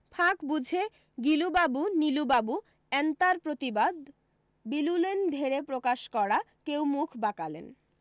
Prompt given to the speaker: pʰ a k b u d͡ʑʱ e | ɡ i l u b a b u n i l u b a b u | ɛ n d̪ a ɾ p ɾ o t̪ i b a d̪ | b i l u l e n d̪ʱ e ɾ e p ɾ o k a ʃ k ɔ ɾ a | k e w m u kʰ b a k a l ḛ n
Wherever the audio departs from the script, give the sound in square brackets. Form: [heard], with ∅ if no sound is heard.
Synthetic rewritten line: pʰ a k b u d͡ʑʱ e | ɡ i l u b a b u n i l u b a b u | ɛ n [t̪] a ɾ p ɾ o t̪ i b a d̪ | b i l u l e n d̪ʱ e ɾ e p ɾ o k a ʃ k ɔ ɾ a | k e w m u kʰ b a k a l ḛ n